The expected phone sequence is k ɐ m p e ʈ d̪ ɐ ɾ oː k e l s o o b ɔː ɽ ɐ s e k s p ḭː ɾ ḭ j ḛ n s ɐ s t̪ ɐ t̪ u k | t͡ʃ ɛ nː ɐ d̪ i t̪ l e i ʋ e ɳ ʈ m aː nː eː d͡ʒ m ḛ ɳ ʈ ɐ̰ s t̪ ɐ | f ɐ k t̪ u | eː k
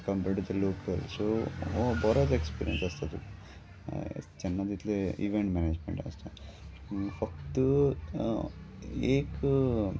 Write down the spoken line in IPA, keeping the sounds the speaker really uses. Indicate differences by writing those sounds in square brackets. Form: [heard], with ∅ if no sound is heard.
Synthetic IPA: k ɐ m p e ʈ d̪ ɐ [l] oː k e l s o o b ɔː [ɾ] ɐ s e k s p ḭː ɾ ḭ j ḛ n s ɐ s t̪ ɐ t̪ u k | t͡ʃ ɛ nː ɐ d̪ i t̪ l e i ʋ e ɳ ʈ m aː [n] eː d͡ʒ m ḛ ɳ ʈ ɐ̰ s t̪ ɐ | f ɐ k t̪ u | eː k